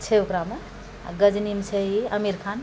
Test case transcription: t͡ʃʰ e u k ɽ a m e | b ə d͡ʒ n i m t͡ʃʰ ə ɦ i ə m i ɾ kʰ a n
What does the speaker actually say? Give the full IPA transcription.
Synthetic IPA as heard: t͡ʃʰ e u k ɾ a m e | ɡ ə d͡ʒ n i m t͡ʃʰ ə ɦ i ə m i ɾ kʰ a n